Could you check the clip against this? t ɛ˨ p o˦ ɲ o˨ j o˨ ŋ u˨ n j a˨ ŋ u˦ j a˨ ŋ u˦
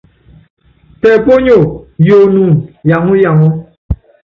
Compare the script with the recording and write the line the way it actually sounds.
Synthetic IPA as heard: t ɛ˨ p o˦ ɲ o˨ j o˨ n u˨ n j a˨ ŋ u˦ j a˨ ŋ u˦